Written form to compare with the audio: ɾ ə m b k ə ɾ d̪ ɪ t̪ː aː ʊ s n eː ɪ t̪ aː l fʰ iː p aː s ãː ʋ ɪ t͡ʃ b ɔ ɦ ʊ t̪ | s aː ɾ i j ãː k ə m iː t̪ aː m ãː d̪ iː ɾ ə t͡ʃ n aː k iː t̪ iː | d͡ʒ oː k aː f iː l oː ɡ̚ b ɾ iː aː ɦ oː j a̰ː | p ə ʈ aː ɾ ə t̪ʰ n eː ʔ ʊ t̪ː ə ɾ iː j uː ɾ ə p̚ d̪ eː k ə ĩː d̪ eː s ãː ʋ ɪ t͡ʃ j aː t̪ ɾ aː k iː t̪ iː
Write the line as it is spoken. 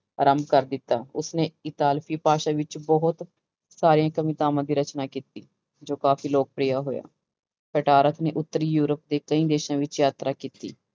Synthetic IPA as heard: ɾ ə m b k ə ɾ d̪ ɪ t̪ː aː ʊ s n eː ɪ t̪ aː l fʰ iː p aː ʃ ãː ʋ ɪ t͡ʃ b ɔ ɦ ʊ t̪ | s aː ɾ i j ãː k ə m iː t̪ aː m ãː d̪ iː ɾ ə t͡ʃ n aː k iː t̪ iː | d͡ʒ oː k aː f iː l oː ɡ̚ p ɾ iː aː ɦ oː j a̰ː | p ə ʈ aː ɾ ə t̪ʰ n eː ʔ ʊ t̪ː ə ɾ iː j uː ɾ ə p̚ d̪ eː k ə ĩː d̪ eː ʃ ãː ʋ ɪ t͡ʃ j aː t̪ ɾ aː k iː t̪ iː

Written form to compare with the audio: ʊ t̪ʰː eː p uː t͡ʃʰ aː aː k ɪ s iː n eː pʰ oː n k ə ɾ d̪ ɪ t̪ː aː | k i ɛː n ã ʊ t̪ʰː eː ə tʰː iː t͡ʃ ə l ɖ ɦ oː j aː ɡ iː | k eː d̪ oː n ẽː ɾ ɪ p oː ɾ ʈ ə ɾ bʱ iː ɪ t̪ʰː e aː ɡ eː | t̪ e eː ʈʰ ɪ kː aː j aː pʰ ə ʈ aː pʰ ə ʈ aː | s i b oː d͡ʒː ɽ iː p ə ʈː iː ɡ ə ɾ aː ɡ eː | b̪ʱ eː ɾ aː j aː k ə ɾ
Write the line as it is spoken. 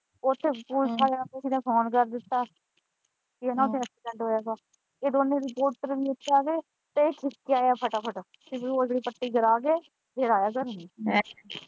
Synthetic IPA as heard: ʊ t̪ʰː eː p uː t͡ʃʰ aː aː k ɪ s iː n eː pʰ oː n k ə ɾ d̪ ɪ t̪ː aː | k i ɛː n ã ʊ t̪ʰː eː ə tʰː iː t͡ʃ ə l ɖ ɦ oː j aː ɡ aː | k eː d̪ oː n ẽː ɾ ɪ p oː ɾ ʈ ə ɾ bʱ iː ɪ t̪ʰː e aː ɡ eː | t̪ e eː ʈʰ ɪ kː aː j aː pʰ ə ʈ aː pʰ ə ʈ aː | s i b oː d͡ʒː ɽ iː p ə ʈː iː ɡ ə ɾ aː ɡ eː | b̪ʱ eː ɾ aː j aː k ə ɾ

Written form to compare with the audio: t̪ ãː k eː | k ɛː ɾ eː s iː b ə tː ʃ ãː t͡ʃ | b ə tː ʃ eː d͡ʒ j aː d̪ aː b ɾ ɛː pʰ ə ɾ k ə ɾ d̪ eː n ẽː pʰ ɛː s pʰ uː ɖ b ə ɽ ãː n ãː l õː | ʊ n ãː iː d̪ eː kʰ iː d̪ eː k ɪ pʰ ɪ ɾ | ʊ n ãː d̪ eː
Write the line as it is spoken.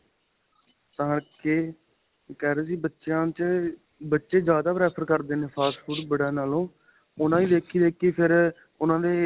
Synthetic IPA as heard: t̪ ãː k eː | k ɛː ɾ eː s iː b ə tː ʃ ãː t͡ʃ | b ə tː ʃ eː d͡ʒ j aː d̪ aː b ɾ ɛː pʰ ə ɾ k ə ɾ d̪ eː n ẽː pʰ aː s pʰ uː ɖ b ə ɽ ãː n aː l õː | ʊ n ãː iː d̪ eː kʰ iː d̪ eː k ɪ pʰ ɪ ɾ | ʊ n ãː d̪ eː

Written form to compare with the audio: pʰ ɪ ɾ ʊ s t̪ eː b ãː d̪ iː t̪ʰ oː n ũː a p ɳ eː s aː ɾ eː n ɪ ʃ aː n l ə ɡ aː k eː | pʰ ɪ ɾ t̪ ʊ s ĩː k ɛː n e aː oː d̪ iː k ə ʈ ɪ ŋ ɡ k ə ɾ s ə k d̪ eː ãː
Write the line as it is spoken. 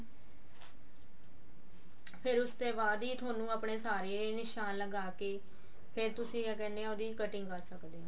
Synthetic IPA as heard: pʰ ɪ ɾ ʊ s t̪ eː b aː d̪ iː t̪ʰ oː n ũː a p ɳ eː s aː ɾ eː n ɪ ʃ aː n l ə ɡ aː k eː | pʰ ɪ ɾ t̪ ʊ s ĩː k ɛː n e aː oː d̪ iː k ə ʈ ɪ ŋ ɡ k ə ɾ s ə k d̪ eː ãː

